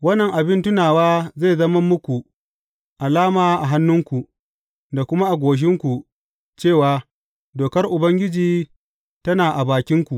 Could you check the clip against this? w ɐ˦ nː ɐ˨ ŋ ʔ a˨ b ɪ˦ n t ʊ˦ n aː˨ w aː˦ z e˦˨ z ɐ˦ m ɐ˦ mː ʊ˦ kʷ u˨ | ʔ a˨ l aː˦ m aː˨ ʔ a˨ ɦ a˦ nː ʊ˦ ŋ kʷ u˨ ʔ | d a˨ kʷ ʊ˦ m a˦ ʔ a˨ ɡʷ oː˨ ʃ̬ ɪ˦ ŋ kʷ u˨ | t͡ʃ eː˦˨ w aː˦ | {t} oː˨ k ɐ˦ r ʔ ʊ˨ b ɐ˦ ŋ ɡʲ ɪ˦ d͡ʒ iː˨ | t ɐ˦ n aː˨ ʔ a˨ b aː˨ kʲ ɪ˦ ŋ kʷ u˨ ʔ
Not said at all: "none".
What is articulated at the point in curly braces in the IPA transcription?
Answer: d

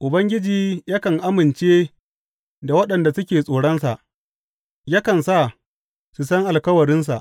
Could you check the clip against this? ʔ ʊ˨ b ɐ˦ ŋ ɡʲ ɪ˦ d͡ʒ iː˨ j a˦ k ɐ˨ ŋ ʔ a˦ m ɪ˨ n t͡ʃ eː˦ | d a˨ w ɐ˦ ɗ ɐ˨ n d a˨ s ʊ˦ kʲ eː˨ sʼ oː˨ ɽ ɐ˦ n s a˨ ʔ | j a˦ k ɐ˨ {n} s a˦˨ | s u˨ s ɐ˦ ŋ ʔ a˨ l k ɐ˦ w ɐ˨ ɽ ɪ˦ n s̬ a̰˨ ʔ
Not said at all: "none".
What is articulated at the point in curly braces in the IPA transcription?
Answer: n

